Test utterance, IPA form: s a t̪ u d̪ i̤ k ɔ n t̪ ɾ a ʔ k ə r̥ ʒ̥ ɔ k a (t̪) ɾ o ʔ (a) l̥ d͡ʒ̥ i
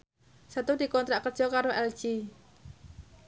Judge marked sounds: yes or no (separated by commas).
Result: no, no